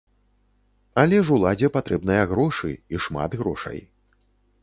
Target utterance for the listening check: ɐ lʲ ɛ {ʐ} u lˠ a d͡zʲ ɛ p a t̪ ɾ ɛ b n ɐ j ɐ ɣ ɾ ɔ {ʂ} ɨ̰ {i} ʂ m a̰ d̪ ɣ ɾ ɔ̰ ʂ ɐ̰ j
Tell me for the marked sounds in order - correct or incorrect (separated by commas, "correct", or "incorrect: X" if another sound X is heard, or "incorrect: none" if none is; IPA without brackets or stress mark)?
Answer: correct, correct, correct